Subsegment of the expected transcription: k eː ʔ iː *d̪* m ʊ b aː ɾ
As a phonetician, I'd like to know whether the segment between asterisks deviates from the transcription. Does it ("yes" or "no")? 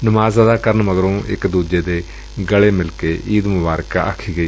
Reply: no